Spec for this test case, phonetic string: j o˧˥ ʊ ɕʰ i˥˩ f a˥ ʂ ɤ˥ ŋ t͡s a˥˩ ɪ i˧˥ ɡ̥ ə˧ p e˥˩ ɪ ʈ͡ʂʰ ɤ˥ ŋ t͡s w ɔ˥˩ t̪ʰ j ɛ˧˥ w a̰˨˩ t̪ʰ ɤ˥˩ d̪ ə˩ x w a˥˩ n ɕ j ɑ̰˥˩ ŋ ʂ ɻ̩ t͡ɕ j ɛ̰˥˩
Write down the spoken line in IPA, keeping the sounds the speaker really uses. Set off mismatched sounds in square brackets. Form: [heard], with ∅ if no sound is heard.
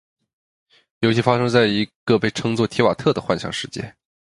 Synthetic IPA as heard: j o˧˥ ʊ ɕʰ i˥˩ f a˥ ʂ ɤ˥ ŋ t͡s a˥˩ ɪ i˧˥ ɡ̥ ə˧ p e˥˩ ɪ ʈ͡ʂʰ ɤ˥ ŋ t͡s w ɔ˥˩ t̪ʰ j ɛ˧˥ w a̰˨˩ t̪ʰ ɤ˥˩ d̪ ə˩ x w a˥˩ n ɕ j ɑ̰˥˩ ŋ ʂ ɻ̩ t͡ɕ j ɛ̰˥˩